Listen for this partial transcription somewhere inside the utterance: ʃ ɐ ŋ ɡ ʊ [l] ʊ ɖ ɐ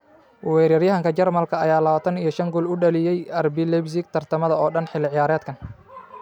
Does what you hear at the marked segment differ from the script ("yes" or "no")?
no